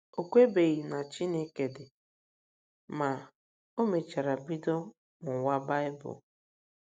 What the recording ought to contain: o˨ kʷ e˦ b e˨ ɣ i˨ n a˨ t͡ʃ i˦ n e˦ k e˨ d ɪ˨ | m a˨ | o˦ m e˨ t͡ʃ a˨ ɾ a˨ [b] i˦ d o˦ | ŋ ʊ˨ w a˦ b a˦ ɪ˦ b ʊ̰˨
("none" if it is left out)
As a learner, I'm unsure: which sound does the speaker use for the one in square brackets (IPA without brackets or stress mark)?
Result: b